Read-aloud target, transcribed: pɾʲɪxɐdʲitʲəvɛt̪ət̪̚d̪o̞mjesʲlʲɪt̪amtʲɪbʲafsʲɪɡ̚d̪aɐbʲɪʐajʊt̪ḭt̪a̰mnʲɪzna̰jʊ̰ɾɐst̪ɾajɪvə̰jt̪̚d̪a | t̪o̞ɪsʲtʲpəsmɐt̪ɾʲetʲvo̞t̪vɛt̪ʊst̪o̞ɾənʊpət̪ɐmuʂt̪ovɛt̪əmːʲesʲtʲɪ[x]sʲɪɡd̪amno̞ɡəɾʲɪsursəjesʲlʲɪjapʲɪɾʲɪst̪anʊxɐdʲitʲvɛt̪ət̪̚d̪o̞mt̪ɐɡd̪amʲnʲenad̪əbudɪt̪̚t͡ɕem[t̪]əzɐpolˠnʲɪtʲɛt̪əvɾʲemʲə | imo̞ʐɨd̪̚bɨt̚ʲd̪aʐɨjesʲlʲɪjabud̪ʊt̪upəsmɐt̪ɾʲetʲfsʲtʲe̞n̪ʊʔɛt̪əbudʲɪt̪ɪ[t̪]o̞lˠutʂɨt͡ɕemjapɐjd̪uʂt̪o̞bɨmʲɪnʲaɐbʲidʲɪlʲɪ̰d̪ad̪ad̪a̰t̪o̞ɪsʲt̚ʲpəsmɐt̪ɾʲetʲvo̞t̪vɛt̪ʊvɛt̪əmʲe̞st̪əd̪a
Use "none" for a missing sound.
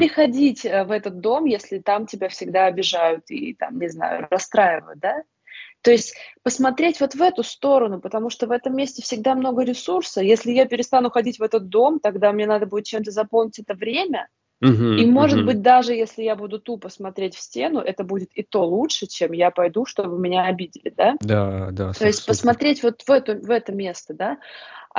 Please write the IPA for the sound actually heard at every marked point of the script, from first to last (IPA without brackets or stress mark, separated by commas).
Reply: f, t̪, t̪